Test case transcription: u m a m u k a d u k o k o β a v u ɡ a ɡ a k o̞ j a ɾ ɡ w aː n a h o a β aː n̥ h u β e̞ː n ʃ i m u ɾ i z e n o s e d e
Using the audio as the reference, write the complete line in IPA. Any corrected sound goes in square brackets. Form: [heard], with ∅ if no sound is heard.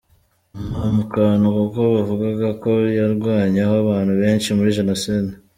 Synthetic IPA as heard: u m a m u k a [n] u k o k o β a v u ɡ a ɡ a k o̞ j a ɾ ɡ w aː [ɲ] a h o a β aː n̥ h u β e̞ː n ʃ i m u ɾ i [ʒ] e n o s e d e